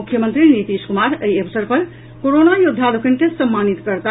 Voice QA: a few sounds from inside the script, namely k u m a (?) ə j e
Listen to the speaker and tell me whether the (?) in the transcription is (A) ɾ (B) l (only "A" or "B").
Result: A